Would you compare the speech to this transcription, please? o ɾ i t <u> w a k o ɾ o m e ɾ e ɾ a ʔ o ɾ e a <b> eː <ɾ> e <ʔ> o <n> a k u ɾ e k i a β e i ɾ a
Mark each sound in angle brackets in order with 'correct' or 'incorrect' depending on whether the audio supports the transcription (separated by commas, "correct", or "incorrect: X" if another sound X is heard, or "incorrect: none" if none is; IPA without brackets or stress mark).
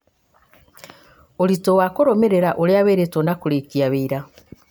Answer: incorrect: o, incorrect: β, correct, incorrect: t, correct